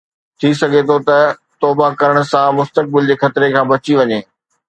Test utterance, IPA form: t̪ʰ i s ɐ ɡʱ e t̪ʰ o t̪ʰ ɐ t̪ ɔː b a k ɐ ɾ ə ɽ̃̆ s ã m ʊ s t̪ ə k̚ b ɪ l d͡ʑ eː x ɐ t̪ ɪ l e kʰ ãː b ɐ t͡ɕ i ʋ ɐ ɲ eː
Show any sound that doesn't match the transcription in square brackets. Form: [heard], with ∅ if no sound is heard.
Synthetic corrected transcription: t̪ʰ i s ɐ ɡʱ e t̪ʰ o [t̪] ɐ t̪ ɔː b a k ɐ ɾ ə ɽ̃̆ s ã m ʊ s t̪ ə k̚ b ɪ l d͡ʑ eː x ɐ t̪ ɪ [ɾ] e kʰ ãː b ɐ t͡ɕ i ʋ ɐ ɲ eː